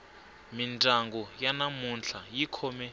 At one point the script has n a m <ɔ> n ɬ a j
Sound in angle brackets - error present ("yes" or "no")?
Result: yes